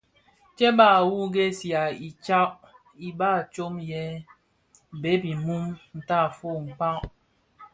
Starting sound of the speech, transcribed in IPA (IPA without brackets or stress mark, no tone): t͡ʃ